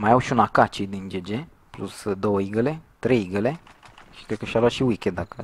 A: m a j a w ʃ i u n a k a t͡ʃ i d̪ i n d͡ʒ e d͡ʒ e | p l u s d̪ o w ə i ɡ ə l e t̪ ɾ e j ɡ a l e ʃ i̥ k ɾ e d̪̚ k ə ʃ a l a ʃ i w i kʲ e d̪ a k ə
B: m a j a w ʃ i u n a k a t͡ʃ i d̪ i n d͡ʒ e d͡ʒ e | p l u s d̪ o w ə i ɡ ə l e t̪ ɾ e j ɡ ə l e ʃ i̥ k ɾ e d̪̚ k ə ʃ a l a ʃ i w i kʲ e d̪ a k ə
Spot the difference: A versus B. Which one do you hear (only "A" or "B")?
B